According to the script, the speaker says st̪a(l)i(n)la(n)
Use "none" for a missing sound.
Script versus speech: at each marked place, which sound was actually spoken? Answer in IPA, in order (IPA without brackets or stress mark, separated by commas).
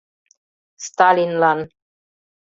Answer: l, n, n